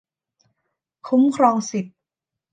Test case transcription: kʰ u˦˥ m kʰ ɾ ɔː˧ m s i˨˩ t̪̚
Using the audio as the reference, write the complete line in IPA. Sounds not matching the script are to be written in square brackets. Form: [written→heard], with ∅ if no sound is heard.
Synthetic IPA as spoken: kʰ u˦˥ m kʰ ɾ ɔː˧ [m→ŋ] s i˨˩ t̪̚